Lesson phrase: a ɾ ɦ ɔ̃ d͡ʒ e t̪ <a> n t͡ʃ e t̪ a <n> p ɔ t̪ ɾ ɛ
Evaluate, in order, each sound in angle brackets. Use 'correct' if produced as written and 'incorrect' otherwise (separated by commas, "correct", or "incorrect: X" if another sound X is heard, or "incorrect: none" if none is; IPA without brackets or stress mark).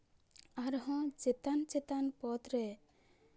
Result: correct, correct